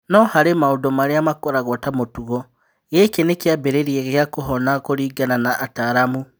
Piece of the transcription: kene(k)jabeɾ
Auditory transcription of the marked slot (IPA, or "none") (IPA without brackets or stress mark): k